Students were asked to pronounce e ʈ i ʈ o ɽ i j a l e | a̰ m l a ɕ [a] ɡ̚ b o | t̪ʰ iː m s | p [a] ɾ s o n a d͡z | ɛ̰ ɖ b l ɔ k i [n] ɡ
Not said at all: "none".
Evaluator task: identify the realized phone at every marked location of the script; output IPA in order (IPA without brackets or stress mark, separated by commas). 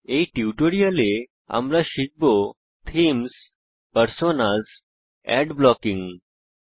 i, ə, ŋ